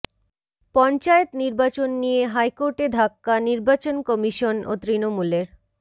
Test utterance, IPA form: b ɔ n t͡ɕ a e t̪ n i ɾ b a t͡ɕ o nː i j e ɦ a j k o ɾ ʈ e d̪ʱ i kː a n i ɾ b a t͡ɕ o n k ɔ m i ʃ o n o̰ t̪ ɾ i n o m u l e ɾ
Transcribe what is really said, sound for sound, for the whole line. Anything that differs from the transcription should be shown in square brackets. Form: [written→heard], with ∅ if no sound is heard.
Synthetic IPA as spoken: [b→p] ɔ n t͡ɕ a e t̪ n i ɾ b a t͡ɕ o nː i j e ɦ a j k o ɾ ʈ e d̪ʱ [i→a] kː a n i ɾ b a t͡ɕ o n k ɔ m i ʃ o n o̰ t̪ ɾ i n o m u l e ɾ